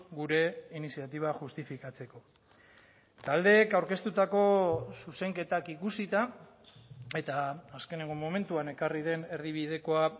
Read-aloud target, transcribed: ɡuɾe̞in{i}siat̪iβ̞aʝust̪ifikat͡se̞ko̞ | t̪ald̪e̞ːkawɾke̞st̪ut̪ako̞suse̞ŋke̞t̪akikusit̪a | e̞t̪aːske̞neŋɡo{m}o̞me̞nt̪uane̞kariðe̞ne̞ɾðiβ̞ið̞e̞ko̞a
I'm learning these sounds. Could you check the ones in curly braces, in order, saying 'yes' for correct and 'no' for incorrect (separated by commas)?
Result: yes, yes